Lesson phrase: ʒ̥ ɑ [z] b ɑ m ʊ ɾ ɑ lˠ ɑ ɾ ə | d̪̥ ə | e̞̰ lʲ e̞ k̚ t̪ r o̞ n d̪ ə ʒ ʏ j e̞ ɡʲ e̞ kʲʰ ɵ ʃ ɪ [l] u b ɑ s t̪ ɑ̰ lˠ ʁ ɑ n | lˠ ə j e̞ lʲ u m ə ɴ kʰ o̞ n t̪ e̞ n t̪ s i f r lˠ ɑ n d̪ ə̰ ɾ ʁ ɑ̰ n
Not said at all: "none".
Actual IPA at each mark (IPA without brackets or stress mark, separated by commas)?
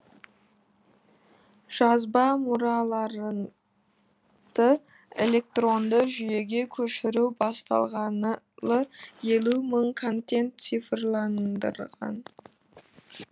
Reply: z, ɾ